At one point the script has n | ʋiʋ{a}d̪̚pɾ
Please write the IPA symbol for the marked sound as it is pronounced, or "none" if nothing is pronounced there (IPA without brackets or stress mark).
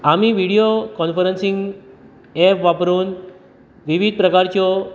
i